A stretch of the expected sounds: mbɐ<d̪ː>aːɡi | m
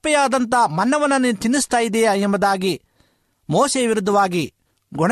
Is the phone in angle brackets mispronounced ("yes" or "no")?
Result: yes